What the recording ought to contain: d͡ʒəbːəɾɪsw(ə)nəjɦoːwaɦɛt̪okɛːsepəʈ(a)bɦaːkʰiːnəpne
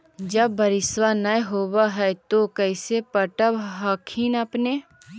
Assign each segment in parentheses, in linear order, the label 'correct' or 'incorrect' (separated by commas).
incorrect, incorrect